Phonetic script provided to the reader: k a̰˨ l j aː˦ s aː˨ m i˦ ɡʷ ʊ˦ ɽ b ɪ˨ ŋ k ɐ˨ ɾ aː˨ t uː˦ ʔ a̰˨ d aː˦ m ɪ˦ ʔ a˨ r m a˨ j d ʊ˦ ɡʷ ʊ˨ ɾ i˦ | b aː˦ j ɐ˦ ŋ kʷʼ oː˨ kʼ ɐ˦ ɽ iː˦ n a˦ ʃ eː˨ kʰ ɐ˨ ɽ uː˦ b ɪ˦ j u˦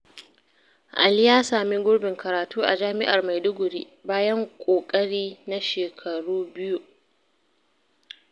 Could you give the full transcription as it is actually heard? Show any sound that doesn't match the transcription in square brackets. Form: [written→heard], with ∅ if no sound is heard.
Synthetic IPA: [k→ʔ] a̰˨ l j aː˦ s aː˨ m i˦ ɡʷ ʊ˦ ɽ b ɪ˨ ŋ k ɐ˨ ɾ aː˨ t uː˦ ʔ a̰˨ [d→d͡ʒ] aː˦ m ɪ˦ ʔ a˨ r m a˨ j d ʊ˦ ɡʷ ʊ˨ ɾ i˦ | b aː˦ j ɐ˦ ŋ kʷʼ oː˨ kʼ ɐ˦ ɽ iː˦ n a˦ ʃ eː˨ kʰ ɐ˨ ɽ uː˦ b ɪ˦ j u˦